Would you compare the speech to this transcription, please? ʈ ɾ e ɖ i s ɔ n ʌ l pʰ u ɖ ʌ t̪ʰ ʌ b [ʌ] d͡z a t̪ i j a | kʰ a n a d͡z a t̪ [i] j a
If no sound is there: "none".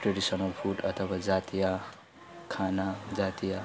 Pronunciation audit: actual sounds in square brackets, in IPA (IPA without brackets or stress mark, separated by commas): a, i